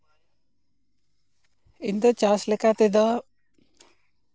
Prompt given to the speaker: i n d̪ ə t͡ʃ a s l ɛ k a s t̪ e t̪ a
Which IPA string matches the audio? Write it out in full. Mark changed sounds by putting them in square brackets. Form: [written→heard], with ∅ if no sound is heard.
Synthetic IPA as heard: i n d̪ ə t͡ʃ a s l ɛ k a [s→∅] t̪ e [t̪→d̪] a